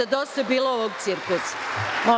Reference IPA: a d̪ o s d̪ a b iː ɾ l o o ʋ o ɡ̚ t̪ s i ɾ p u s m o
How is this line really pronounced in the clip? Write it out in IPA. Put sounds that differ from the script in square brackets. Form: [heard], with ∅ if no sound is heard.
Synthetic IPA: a d̪ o s [t̪] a b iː [∅] l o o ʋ o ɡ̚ t̪ s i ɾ [k] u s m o